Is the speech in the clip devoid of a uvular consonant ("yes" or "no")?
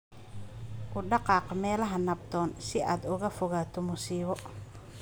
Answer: no